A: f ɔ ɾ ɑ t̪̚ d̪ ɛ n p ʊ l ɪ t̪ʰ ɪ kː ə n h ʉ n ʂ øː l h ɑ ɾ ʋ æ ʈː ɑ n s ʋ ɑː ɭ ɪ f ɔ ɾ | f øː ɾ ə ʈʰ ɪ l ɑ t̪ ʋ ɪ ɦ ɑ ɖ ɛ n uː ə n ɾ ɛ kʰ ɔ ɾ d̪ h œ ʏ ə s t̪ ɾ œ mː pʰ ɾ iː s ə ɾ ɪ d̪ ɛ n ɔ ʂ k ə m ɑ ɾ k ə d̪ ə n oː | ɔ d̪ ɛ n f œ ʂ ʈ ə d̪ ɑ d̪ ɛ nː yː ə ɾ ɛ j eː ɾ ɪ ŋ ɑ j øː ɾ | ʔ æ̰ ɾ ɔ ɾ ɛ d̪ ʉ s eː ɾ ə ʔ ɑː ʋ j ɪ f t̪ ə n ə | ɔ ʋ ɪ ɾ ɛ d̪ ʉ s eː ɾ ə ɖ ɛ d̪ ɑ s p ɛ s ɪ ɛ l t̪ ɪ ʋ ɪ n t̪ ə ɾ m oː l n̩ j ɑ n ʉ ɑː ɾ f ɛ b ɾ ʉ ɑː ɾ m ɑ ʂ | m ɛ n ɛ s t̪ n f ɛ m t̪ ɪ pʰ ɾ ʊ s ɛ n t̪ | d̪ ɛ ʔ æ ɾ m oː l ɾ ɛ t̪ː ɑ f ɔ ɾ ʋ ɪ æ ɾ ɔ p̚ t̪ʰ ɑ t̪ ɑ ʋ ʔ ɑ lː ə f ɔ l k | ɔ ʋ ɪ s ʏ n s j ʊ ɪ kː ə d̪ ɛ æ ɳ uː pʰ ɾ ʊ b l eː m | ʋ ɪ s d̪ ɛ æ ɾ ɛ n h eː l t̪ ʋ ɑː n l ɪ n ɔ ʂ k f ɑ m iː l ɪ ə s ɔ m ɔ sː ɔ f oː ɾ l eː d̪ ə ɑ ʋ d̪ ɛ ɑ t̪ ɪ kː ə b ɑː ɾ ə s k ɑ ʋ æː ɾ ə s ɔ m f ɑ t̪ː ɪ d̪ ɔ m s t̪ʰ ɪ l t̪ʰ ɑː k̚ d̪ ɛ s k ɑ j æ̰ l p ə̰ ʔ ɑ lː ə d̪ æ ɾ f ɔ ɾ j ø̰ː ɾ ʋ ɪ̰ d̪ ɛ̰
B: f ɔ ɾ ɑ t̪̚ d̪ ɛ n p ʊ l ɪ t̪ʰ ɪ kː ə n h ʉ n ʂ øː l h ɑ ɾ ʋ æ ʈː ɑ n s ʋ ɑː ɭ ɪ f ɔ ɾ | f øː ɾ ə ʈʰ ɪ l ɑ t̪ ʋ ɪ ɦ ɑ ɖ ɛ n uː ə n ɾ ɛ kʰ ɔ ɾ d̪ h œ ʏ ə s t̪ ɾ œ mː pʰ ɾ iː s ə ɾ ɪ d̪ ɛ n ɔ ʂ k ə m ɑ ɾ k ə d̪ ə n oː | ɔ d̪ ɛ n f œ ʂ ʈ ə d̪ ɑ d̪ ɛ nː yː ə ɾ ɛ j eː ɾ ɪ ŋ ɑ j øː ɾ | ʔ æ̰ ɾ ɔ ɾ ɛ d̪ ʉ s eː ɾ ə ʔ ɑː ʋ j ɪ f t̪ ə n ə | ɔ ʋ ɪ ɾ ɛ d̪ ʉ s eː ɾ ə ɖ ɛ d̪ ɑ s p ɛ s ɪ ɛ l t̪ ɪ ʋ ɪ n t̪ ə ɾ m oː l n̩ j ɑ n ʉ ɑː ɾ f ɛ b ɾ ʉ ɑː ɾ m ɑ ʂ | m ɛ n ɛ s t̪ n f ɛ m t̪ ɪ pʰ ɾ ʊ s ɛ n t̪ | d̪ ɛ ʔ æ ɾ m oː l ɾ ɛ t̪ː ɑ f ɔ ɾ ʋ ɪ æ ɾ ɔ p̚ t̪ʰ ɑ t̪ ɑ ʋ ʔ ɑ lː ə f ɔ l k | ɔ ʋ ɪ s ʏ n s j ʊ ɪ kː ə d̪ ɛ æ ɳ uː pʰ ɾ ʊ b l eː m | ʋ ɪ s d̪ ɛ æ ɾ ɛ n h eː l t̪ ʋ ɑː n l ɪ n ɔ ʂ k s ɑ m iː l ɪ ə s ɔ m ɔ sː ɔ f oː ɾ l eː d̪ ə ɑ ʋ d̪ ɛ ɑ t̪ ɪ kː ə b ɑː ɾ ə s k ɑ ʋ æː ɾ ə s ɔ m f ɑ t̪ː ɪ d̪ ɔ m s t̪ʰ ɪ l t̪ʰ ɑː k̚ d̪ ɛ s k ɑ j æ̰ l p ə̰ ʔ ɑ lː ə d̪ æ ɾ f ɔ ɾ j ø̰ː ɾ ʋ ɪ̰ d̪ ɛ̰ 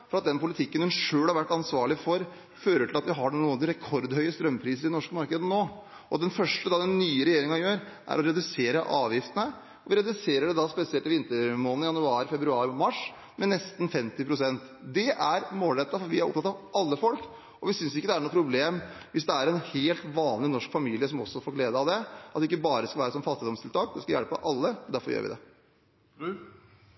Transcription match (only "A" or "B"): A